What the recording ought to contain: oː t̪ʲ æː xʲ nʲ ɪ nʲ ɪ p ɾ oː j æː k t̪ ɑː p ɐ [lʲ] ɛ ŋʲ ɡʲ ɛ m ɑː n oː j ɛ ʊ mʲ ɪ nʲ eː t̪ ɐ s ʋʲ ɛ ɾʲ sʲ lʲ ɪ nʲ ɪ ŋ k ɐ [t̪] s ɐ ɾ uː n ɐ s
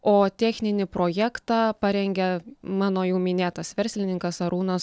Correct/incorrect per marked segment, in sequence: incorrect: ɾʲ, incorrect: none

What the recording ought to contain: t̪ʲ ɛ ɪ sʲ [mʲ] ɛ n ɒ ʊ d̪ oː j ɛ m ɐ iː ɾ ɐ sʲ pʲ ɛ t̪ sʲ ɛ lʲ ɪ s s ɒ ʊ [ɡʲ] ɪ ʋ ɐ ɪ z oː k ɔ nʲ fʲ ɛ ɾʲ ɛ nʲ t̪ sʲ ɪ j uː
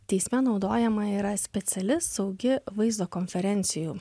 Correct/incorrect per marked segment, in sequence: correct, correct

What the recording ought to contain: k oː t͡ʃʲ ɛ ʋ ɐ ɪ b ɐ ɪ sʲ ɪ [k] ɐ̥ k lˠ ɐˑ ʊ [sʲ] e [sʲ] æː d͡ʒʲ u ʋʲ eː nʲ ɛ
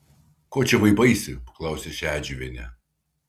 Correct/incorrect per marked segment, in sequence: incorrect: p, correct, incorrect: ʃʲ

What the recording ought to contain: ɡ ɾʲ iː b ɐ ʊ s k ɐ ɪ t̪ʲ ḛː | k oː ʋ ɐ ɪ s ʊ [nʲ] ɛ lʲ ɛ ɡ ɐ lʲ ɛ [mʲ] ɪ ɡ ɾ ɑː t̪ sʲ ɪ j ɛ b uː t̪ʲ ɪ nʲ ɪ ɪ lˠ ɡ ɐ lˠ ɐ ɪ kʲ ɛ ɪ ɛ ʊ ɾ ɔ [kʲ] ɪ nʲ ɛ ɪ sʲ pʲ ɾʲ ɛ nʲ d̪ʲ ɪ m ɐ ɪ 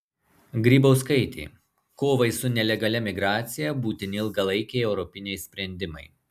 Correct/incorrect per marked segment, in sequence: correct, correct, incorrect: pʲ

